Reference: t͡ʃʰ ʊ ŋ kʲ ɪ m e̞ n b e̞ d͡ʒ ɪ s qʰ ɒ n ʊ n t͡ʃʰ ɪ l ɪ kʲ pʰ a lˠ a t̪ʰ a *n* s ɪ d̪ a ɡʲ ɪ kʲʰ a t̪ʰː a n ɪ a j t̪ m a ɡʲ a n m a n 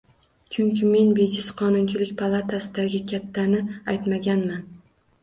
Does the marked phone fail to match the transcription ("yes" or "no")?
yes